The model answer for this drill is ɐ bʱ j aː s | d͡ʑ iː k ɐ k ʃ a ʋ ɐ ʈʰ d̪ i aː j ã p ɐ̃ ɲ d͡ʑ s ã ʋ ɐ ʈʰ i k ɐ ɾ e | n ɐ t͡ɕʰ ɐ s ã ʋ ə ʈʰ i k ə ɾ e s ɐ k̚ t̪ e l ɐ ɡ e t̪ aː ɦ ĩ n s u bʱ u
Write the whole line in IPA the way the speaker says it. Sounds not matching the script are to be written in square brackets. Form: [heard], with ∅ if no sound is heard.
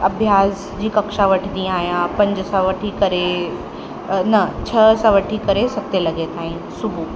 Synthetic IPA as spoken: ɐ bʱ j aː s | d͡ʑ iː k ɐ k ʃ a ʋ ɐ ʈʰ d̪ i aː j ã p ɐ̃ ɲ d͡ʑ s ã ʋ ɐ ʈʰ i k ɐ ɾ e | n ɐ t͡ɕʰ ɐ s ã ʋ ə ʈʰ i k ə ɾ e s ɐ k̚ t̪ e l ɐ ɡ e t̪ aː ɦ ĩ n s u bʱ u

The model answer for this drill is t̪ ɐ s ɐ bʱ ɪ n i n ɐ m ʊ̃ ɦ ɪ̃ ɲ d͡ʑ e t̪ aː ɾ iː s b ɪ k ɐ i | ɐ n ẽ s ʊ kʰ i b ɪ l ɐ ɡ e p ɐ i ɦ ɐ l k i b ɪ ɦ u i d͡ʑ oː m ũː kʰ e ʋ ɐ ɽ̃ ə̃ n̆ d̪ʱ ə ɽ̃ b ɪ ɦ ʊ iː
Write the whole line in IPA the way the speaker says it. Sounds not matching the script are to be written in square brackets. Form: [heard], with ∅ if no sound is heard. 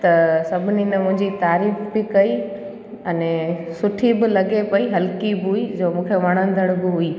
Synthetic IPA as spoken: t̪ ɐ s ɐ bʱ ɪ n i n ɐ m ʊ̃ ɦ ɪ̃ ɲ d͡ʑ [i] t̪ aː ɾ iː [f] b ɪ k ɐ i | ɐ n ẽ s ʊ [ʈʰ] i b ɪ l ɐ ɡ e p ɐ i ɦ ɐ l k i b ɪ ɦ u i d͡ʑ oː m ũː kʰ e ʋ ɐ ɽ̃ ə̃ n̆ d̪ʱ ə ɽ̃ b ɪ ɦ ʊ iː

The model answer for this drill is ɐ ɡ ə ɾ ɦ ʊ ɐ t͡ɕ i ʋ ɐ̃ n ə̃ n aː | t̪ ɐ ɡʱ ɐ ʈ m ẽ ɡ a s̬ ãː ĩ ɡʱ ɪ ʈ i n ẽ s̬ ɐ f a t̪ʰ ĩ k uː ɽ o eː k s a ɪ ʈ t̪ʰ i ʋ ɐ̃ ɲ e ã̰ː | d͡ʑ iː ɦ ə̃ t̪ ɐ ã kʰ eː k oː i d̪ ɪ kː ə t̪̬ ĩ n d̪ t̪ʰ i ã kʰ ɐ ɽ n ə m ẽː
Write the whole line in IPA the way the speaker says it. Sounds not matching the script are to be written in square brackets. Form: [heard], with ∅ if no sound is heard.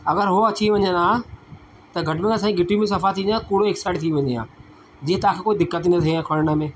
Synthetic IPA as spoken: ɐ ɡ ə ɾ ɦ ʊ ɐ t͡ɕ i ʋ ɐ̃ [ɲ] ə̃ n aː | t̪ ɐ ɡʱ ɐ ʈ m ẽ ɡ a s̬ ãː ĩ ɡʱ ɪ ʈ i [m] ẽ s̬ ɐ f a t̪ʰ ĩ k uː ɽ o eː k s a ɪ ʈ t̪ʰ i ʋ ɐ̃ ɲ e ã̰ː | d͡ʑ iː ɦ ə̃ t̪ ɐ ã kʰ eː k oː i d̪ ɪ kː ə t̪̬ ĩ n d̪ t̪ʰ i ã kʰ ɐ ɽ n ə m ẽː

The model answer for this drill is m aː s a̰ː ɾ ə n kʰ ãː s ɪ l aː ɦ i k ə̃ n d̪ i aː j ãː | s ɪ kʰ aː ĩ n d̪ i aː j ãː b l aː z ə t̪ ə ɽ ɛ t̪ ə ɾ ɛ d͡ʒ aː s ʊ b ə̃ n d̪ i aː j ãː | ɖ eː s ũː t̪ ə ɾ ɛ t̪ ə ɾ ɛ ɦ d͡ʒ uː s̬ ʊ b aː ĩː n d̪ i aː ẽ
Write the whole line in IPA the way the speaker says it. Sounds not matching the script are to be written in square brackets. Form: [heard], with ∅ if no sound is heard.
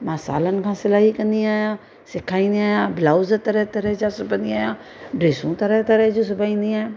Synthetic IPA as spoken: m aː s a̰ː [l] ə n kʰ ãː s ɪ l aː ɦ i k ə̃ n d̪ i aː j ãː | s ɪ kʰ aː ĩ n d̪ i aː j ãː b l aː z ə t̪ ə [ɾ] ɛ t̪ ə ɾ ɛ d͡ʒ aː s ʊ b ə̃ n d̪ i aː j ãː | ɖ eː s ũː t̪ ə ɾ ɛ t̪ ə ɾ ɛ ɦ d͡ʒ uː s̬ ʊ b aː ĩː n d̪ i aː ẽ

